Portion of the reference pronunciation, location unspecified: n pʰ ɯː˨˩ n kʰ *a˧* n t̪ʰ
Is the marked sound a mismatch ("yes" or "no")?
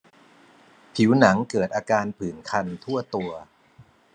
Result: no